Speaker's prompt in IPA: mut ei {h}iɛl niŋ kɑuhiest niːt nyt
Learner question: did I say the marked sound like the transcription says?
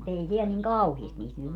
no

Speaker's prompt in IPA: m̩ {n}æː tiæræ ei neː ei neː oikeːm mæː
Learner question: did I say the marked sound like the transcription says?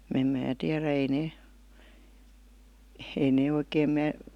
no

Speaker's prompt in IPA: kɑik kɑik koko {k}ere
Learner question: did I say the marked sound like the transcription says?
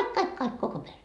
no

